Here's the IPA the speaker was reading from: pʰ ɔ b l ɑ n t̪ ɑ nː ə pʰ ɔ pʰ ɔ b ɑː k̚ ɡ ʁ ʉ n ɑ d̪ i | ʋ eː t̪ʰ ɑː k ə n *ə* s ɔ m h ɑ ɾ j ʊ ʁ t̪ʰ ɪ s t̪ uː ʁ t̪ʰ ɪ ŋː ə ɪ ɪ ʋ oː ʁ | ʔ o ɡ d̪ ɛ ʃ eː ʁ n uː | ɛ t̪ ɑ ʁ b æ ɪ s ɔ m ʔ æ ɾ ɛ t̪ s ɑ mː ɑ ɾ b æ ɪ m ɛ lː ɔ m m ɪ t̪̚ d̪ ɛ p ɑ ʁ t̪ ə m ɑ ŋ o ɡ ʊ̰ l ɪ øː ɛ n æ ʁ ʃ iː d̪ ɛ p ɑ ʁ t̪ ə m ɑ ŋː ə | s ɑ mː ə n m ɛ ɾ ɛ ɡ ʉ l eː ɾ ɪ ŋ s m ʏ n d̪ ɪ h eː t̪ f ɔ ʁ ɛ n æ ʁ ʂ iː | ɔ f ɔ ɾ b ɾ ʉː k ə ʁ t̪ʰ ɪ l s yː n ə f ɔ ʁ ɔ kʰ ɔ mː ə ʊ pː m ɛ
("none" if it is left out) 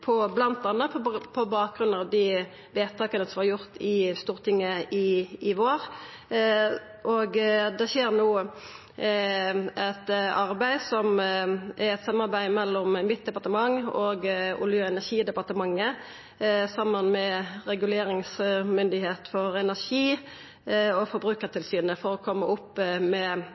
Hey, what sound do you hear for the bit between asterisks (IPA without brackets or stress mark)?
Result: ə